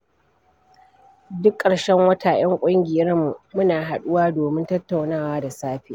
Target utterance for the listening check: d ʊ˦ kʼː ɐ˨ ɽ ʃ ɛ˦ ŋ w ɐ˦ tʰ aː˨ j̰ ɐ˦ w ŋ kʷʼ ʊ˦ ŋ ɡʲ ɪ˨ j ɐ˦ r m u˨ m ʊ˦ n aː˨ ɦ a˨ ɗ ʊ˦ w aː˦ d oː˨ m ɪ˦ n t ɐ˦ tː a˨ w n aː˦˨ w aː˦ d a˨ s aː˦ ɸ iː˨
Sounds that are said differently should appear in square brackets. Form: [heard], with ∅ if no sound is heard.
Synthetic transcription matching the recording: d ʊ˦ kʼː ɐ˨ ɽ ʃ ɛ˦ ŋ w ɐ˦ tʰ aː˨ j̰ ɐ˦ [∅] ŋ kʷʼ ʊ˦ ŋ ɡʲ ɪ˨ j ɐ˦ r m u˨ m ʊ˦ n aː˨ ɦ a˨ ɗ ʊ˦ w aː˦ d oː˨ m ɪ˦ n t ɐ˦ tː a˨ w n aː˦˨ w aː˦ d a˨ s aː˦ ɸ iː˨